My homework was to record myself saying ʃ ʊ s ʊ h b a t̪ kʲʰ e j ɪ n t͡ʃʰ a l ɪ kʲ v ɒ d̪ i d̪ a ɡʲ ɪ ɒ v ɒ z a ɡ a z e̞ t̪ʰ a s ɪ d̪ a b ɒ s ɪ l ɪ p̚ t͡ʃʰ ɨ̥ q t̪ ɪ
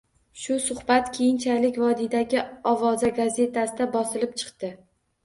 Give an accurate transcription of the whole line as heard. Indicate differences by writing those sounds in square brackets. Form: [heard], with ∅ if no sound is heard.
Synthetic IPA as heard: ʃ ʊ s ʊ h b a t̪ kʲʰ e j ɪ n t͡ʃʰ a l ɪ kʲ v ɒ d̪ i d̪ a ɡʲ ɪ ɒ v ɒ z a ɡ a z e̞ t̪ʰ a s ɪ d̪ a b ɒ s ɪ l ɪ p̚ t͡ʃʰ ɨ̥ q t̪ ɪ